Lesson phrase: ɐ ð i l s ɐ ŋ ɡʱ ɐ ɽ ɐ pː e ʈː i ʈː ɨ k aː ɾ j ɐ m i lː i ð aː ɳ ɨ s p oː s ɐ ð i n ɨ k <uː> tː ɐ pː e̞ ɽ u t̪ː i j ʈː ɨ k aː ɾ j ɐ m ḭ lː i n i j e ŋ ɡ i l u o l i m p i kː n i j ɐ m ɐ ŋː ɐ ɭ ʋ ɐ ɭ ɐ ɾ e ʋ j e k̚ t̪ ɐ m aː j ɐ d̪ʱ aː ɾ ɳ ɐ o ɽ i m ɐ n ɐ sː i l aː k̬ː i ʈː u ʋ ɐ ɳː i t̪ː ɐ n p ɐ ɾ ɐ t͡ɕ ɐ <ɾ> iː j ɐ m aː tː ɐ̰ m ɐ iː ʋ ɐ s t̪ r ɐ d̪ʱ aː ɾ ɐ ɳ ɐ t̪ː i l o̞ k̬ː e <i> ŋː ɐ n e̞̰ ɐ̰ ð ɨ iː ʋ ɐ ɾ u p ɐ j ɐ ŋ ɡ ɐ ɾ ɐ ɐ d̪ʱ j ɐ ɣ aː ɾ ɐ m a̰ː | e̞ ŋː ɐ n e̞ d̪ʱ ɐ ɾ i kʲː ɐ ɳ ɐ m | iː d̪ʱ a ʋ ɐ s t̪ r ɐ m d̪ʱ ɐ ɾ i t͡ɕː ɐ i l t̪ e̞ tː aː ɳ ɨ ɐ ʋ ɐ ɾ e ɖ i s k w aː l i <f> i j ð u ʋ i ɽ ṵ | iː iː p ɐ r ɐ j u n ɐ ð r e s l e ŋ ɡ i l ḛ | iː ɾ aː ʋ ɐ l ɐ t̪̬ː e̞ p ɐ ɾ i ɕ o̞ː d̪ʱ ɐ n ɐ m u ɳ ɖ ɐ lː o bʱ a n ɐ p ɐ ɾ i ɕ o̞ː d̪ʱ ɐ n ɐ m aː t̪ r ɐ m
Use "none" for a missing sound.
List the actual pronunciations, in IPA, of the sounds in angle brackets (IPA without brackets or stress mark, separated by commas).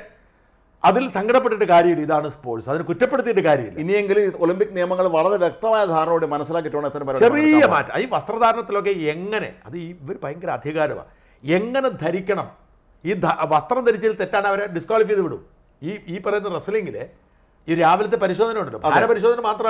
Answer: u, r, e, f